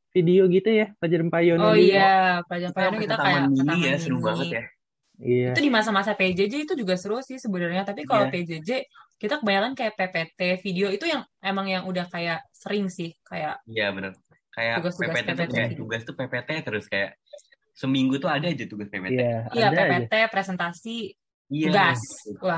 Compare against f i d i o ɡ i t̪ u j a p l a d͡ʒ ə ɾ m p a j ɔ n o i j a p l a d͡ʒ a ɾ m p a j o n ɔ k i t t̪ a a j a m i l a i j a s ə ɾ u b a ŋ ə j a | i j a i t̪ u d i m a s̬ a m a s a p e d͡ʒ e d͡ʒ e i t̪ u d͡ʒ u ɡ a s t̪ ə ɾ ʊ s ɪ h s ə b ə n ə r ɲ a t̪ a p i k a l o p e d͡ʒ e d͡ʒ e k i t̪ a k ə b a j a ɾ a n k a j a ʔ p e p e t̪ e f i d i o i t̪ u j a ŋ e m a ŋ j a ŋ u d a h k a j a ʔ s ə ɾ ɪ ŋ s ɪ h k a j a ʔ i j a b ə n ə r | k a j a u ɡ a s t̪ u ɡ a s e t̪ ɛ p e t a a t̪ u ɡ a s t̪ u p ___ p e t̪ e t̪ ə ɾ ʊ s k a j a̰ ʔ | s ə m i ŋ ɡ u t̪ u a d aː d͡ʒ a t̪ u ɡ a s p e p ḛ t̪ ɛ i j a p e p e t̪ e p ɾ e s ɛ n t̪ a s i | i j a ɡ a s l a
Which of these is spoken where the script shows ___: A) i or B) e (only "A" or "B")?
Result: B